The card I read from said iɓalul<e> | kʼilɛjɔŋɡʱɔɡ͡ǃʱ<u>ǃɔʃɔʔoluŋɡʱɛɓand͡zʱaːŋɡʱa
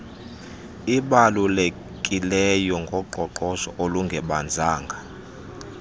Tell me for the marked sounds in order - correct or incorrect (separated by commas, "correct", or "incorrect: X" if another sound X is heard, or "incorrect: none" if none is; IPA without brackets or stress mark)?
correct, incorrect: ɔ